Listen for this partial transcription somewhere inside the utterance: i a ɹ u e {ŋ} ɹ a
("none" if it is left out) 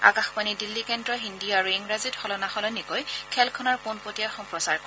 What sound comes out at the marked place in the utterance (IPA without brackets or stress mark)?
ŋ